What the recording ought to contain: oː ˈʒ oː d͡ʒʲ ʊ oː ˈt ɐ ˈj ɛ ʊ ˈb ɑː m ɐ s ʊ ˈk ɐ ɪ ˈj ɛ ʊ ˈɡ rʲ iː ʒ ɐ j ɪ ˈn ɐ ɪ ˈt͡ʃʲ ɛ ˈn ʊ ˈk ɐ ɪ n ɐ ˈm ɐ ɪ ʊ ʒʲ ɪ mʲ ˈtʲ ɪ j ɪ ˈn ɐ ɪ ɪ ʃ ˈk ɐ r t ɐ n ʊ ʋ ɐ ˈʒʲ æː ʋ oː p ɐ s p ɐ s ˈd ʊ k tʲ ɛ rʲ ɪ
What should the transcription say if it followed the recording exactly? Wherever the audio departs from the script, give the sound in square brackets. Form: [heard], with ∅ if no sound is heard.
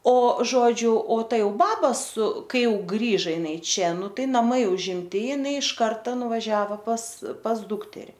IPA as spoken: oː ˈʒ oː d͡ʒʲ ʊ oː ˈt ɐ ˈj ɛ ʊ ˈb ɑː [b] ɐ s ʊ ˈk ɐ ɪ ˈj ɛ ʊ ˈɡ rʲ iː ʒ ɐ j ɪ ˈn ɐ ɪ ˈt͡ʃʲ ɛ ˈn ʊ [ˈt] ɐ ɪ n ɐ ˈm ɐ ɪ ʊ ʒʲ ɪ mʲ ˈtʲ ɪ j ɪ ˈn ɐ ɪ ɪ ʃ ˈk ɐ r t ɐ n ʊ ʋ ɐ ˈʒʲ æː ʋ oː p ɐ s p ɐ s ˈd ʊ k tʲ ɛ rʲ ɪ